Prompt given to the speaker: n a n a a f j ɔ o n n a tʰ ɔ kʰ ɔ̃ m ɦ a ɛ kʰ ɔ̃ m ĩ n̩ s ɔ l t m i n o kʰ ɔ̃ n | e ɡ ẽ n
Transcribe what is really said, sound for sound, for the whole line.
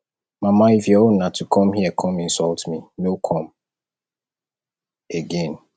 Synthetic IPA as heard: m a m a i f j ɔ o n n a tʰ u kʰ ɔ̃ m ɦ i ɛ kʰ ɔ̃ m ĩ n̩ s ɔ l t m i n o kʰ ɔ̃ m | e ɡ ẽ n